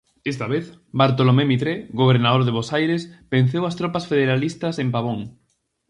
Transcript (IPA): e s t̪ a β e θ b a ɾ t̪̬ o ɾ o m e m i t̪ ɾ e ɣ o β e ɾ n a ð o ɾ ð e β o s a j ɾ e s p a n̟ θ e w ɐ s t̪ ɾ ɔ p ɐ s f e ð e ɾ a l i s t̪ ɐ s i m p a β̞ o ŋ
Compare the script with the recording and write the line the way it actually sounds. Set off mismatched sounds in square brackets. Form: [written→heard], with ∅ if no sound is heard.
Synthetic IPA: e s t̪ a β e θ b a ɾ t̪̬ o [ɾ→l] o m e m i t̪ ɾ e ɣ o β e ɾ n a ð o ɾ ð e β o s a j ɾ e s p [a→e] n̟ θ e w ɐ s t̪ ɾ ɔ p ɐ s f e ð e ɾ a l i s t̪ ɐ s [i→e] m p a β̞ o ŋ